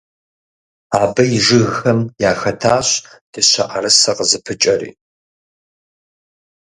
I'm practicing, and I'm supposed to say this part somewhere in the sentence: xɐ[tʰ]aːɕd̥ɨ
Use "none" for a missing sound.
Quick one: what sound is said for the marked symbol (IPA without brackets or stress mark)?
tʰ